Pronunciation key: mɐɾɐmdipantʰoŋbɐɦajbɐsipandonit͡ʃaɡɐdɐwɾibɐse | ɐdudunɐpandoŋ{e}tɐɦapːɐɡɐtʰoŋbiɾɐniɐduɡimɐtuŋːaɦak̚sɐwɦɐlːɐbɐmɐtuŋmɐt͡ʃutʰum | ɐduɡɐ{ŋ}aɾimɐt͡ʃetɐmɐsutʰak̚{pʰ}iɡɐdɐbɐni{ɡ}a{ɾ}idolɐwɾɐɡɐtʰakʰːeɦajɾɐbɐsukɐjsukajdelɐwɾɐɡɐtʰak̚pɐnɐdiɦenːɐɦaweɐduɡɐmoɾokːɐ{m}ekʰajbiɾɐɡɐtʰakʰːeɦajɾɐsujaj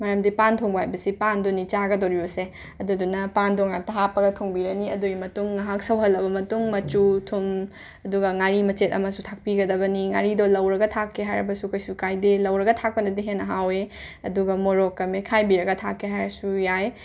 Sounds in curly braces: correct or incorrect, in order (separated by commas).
incorrect, correct, incorrect, incorrect, correct, correct